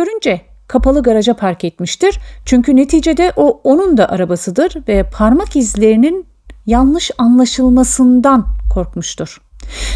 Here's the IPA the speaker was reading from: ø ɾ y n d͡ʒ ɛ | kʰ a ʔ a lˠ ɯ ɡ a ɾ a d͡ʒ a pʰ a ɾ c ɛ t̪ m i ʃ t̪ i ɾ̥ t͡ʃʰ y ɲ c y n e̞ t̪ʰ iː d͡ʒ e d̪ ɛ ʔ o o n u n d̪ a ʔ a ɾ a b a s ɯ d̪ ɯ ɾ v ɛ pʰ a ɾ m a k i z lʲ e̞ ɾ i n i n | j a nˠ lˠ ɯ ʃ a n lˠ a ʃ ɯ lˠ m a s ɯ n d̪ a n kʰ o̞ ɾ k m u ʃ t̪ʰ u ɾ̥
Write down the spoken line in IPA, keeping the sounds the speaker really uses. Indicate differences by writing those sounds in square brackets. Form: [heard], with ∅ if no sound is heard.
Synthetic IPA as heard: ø ɾ y n d͡ʒ ɛ | kʰ a [p] a lˠ ɯ ɡ a ɾ a d͡ʒ a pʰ a ɾ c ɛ t̪ m i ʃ t̪ i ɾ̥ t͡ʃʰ y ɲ c y n e̞ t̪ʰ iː d͡ʒ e d̪ ɛ ʔ o o n u n d̪ a ʔ a ɾ a b a s ɯ d̪ ɯ ɾ v ɛ pʰ a ɾ m a k i z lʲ e̞ ɾ i n i n | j a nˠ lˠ ɯ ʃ a n lˠ a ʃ ɯ lˠ m a s ɯ n d̪ a n kʰ o̞ ɾ k m u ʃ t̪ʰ u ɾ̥